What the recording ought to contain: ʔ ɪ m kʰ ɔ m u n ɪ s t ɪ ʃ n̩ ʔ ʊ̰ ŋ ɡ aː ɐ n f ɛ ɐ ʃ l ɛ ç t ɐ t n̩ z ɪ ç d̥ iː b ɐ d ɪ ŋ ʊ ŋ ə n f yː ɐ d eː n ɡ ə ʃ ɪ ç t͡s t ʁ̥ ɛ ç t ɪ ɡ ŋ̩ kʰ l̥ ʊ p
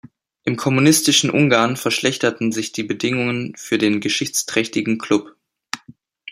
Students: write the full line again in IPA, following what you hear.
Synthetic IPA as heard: ʔ ɪ m kʰ ɔ m u n ɪ s t ɪ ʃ n̩ ʔ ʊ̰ ŋ ɡ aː ɐ n f ɛ ɐ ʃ l ɛ ç t ɐ t n̩ z ɪ ç d̥ iː b ə d ɪ ŋ ʊ ŋ ə n f yː ɐ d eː n ɡ ə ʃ ɪ ç t͡s t ʁ̥ ɛ ç t ɪ ɡ ŋ̩ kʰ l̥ ʊ p